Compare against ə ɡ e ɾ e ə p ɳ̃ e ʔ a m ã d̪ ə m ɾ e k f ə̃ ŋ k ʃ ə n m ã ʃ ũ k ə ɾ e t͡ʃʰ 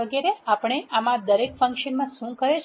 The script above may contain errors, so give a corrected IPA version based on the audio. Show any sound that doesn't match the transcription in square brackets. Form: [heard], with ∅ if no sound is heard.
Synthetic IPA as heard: ə ɡ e ɾ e [a] p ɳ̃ e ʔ a m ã d̪ ə [∅] ɾ e k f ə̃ ŋ k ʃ ə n m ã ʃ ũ k ə ɾ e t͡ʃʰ